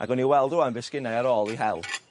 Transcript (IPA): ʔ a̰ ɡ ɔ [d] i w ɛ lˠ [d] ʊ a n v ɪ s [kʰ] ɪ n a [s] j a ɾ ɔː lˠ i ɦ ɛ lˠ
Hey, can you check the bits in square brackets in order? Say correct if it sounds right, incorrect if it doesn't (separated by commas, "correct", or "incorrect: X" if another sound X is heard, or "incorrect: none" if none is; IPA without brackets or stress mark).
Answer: incorrect: n, correct, incorrect: k, incorrect: none